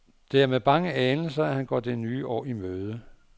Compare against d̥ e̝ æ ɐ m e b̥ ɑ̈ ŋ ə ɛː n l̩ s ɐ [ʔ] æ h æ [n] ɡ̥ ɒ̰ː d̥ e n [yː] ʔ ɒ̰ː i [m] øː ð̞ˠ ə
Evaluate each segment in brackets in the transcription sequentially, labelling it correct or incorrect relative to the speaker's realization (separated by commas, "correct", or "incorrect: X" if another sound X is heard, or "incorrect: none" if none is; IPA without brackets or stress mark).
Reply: incorrect: none, correct, correct, correct